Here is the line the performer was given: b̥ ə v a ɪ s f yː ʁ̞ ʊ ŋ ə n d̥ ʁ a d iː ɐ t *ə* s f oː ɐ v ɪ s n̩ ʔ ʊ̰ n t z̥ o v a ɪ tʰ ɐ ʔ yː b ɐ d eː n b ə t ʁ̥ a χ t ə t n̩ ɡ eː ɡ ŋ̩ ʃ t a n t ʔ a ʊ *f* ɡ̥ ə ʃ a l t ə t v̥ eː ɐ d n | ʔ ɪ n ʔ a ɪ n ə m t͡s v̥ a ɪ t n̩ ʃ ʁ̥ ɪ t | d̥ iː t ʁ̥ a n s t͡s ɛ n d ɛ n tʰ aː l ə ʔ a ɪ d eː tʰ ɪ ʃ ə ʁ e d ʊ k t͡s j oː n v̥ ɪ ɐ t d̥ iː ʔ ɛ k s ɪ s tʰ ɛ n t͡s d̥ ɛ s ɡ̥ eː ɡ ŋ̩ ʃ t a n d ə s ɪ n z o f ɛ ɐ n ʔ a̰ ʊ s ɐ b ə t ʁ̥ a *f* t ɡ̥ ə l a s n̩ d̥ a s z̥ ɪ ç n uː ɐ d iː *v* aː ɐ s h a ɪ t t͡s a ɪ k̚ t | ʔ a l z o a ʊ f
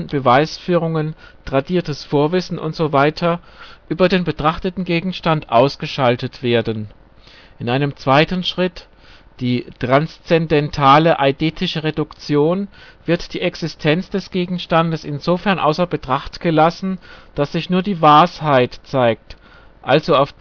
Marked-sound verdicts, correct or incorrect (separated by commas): correct, incorrect, incorrect, correct